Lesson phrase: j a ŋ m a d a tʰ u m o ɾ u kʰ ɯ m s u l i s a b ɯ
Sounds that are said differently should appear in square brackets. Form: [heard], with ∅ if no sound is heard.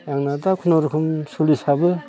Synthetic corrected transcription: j a ŋ [n] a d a [kʰ] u [n] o ɾ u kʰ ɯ m s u l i s a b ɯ